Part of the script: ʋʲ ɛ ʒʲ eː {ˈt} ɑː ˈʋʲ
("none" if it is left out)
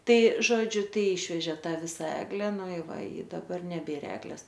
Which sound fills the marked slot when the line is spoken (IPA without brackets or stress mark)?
t